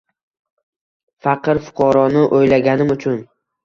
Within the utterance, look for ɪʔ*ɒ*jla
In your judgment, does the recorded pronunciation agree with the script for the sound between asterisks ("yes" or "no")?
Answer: no